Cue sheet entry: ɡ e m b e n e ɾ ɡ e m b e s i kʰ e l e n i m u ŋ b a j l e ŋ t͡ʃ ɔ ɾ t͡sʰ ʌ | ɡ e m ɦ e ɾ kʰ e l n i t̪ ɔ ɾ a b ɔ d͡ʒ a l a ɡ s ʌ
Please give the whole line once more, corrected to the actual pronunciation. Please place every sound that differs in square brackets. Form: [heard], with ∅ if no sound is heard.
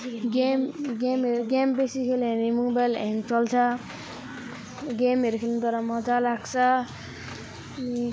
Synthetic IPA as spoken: ɡ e m [ɡ] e [m] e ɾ ɡ e m b e s i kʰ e l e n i m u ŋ b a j l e ŋ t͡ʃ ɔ [l] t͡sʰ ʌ | ɡ e m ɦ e ɾ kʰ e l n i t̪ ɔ ɾ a [m] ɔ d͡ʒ a l a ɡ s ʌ